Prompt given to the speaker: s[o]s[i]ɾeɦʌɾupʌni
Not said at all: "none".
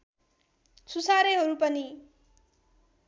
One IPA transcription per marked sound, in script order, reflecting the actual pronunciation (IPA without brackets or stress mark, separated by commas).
u, a